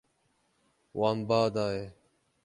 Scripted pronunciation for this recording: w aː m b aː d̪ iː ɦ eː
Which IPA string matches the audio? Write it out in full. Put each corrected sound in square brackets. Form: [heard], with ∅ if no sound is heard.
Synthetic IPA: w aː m b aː d̪ [aː] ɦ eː